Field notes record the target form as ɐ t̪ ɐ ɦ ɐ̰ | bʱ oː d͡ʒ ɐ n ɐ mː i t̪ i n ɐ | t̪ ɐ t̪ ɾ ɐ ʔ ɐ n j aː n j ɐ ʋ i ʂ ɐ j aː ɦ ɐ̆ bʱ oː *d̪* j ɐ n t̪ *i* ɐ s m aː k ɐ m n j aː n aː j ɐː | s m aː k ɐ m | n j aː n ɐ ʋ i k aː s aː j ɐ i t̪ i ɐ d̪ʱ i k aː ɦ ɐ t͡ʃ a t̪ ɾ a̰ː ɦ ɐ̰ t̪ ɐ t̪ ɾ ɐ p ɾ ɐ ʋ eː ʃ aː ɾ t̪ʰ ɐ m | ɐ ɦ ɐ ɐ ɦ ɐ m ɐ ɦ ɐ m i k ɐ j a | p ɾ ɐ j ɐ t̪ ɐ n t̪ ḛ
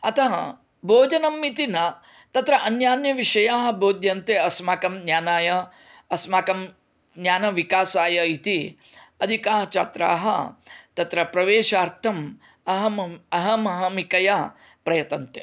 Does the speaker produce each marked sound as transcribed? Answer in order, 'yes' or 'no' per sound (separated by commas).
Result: yes, no